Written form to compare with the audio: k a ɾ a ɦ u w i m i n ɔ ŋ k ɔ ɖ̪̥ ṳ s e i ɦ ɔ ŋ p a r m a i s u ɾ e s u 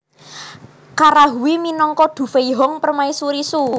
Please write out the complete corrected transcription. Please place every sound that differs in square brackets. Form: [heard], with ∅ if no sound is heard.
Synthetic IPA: k a ɾ a ɦ u w i m i n ɔ ŋ k ɔ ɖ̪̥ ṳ [f] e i ɦ ɔ ŋ p [ə] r m a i s u ɾ [i] s u